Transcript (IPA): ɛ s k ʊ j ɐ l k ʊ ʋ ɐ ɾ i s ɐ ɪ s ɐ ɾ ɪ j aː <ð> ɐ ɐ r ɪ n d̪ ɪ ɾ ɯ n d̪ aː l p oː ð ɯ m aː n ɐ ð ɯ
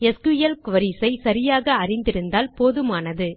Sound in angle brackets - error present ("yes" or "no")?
yes